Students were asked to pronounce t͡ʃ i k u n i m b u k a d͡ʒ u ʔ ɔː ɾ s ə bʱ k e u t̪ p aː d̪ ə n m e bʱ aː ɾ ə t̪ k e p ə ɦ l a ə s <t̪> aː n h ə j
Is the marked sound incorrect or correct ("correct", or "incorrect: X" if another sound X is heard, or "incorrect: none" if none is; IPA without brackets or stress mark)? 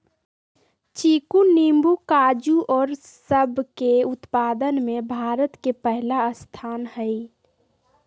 incorrect: t̪ʰ